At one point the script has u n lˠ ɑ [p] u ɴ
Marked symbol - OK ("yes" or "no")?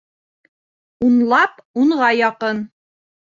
yes